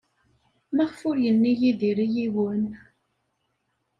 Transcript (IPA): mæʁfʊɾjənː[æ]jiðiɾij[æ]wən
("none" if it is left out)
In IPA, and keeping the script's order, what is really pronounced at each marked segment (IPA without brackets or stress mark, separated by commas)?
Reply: i, i